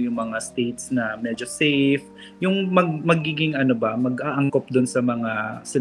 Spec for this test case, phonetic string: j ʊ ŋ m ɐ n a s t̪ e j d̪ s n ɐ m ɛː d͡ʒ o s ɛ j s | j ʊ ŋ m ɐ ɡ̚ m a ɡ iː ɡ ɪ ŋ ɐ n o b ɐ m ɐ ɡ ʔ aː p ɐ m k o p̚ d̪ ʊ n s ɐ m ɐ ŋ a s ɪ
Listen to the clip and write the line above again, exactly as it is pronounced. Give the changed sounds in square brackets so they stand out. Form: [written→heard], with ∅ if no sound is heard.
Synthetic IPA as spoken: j ʊ ŋ m ɐ [n→ŋ] a s t̪ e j [d̪→t̪] s n ɐ m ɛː d͡ʒ o s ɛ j [s→f] | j ʊ ŋ m ɐ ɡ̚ m [a→ɐ] ɡ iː ɡ ɪ ŋ ɐ n o b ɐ m ɐ ɡ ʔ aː [p→ʔ] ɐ [m→ŋ] k o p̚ d̪ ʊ n s ɐ m ɐ ŋ a s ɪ

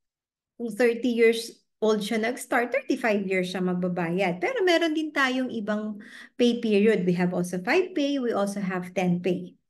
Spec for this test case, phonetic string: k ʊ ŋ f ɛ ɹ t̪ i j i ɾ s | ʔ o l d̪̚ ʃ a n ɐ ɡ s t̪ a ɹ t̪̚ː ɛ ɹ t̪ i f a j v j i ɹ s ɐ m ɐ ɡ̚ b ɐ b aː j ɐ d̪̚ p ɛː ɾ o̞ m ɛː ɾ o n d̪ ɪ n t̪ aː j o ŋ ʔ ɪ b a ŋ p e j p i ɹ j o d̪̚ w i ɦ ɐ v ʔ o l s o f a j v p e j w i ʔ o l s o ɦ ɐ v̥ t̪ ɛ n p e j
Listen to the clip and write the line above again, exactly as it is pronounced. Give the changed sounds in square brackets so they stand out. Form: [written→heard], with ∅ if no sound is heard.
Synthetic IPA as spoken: k ʊ ŋ [f→θ] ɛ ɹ t̪ i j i [ɾ→ɹ] s | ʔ o l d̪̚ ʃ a n ɐ ɡ s t̪ a ɹ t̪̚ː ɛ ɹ t̪ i f a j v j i ɹ s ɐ m ɐ ɡ̚ b ɐ b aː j ɐ d̪̚ p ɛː ɾ o̞ m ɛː ɾ o n d̪ ɪ n t̪ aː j o ŋ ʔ ɪ b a ŋ p e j p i ɹ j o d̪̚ w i ɦ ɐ v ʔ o l s o f a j v p e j w i ʔ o l s o ɦ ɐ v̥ t̪ ɛ n p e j

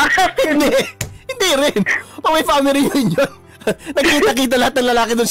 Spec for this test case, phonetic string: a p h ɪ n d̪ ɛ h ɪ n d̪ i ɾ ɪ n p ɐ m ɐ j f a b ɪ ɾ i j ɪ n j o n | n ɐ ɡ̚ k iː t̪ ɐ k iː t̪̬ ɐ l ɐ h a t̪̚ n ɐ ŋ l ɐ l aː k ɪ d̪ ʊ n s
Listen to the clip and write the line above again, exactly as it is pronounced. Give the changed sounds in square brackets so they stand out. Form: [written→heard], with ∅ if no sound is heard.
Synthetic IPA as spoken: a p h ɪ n d̪ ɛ h ɪ n d̪ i ɾ ɪ n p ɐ m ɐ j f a [b→m] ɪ ɾ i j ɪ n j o n | n ɐ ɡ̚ k iː t̪ ɐ k iː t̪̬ ɐ l ɐ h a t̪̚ n ɐ ŋ l ɐ l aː k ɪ d̪ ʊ n s

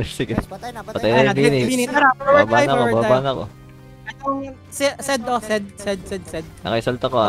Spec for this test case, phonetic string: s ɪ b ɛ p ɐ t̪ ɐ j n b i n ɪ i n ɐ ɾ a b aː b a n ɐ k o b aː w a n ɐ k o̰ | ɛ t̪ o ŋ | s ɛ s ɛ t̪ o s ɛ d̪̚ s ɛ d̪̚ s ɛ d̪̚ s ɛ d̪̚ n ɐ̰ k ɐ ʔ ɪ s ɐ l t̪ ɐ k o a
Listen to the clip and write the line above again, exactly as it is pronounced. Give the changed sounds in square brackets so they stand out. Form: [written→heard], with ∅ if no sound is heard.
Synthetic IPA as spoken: s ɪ [b→ɡ] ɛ p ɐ t̪ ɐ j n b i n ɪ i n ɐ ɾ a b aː b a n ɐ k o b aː [w→b] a n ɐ k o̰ | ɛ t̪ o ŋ | s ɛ s ɛ [t̪→d̪] o s ɛ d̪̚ s ɛ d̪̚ s ɛ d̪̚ s ɛ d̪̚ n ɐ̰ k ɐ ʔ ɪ s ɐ l t̪ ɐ k o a

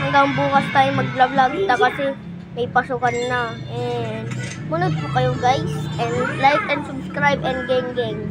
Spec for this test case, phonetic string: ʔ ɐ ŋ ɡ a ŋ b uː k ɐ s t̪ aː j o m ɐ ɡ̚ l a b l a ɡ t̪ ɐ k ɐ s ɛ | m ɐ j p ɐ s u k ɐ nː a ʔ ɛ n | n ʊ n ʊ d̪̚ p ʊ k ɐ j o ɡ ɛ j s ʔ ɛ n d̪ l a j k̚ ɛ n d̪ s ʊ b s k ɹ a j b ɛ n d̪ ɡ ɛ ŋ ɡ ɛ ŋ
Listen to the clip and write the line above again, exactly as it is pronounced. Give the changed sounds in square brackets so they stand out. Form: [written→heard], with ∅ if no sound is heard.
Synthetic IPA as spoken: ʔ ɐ ŋ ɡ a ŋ b uː k ɐ s t̪ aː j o m ɐ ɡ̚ l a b l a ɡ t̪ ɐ k ɐ s ɛ | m ɐ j p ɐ s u k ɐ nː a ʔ ɛ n | [n→m] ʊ n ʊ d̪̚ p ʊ k ɐ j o ɡ [ɛ→a] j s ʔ ɛ n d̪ l a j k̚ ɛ n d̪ s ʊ b s k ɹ a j b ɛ n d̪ ɡ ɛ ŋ ɡ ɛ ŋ

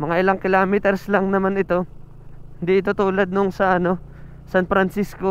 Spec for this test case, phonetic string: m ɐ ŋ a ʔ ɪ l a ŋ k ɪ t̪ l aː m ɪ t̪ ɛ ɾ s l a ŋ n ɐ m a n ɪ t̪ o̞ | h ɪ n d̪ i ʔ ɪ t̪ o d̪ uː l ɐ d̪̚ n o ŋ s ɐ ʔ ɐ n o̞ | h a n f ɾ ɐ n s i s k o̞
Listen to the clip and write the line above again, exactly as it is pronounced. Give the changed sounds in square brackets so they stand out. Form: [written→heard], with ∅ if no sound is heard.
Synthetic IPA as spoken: m ɐ ŋ a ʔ ɪ l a ŋ k ɪ [t̪→∅] l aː m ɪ t̪ ɛ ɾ s l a ŋ n ɐ m a n ɪ t̪ o̞ | h ɪ n d̪ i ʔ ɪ t̪ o [d̪→t̪] uː l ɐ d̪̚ n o ŋ s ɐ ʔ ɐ n o̞ | [h→s] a n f ɾ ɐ n s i s k o̞

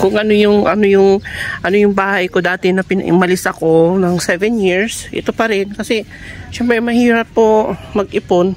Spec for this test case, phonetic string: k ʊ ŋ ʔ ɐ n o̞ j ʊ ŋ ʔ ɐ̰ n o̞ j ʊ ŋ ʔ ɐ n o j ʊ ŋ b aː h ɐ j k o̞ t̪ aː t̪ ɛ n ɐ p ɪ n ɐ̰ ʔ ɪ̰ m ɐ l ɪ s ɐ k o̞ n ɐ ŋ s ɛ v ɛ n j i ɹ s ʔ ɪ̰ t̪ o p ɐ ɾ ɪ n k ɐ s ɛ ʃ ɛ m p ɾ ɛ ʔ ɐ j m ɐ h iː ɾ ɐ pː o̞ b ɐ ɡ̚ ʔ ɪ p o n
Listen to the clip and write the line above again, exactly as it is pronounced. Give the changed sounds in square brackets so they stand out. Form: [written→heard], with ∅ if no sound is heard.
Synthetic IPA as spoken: k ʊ ŋ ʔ ɐ n o̞ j ʊ ŋ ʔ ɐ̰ n o̞ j ʊ ŋ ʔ ɐ n o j ʊ ŋ b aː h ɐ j k o̞ [t̪→d̪] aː t̪ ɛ n ɐ p ɪ n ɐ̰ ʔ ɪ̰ m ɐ l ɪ s ɐ k o̞ n ɐ ŋ s ɛ v ɛ n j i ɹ s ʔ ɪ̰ t̪ o p ɐ ɾ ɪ n k ɐ s ɛ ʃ ɛ m p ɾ ɛ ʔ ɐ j m ɐ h iː ɾ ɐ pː o̞ [b→m] ɐ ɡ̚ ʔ ɪ p o n

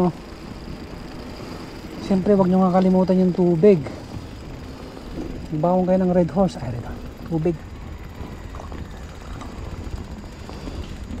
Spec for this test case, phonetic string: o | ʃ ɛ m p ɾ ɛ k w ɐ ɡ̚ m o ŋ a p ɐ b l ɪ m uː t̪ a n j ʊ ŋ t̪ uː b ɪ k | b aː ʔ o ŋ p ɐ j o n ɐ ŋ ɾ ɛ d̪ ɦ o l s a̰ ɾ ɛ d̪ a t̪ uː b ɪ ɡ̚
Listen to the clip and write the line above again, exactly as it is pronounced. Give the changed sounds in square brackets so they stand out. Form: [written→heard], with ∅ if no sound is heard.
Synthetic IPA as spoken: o | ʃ ɛ m p ɾ ɛ [k→∅] w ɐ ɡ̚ [m→ɲ] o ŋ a [p→k] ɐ [b→∅] l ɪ m uː t̪ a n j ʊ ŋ t̪ uː b ɪ [k→ɡ] | b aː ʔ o ŋ [p→k] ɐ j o n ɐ ŋ ɾ ɛ d̪ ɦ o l s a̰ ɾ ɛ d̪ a t̪ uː b ɪ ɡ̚

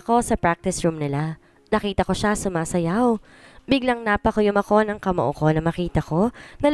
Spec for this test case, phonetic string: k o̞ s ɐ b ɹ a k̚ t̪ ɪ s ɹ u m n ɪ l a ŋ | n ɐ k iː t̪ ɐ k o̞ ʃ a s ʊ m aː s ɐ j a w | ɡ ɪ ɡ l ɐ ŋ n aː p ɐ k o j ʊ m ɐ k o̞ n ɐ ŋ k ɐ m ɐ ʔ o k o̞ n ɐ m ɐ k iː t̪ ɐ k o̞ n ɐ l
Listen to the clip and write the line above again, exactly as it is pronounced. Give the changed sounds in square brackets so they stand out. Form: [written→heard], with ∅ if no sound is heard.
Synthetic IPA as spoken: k o̞ s ɐ [b→p] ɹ a k̚ t̪ ɪ s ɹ u m n ɪ l a [ŋ→∅] | n ɐ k iː t̪ ɐ k o̞ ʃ a s ʊ m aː s ɐ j a w | [ɡ→b] ɪ ɡ l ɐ ŋ n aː p ɐ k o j ʊ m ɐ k o̞ n ɐ ŋ k ɐ m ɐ ʔ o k o̞ n ɐ m ɐ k iː t̪ ɐ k o̞ n ɐ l

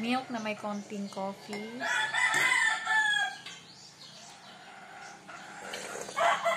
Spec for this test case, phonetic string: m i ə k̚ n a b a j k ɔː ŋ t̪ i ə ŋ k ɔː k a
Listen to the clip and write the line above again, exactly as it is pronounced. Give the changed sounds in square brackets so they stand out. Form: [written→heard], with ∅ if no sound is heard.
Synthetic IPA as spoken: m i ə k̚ n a [b→m] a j k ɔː [ŋ→n] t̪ i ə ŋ k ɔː k [a→i]

